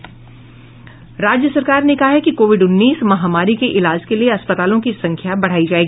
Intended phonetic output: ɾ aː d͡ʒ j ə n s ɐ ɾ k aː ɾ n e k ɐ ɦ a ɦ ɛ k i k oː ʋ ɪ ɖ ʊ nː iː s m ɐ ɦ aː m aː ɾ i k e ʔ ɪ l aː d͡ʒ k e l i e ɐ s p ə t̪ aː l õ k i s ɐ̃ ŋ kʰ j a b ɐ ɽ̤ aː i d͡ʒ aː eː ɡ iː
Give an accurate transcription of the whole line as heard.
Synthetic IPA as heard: ɾ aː d͡ʒ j ə s ɐ ɾ k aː ɾ n e k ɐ ɦ a ɦ ɛ k i k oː ʋ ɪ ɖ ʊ nː iː s m ɐ ɦ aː m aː ɾ i k e ʔ ɪ l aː d͡ʒ k e l i e ɐ s p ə t̪ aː l õ k i s ɐ̃ ŋ kʰ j a b ɐ ɽ̤ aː i d͡ʒ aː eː ɡ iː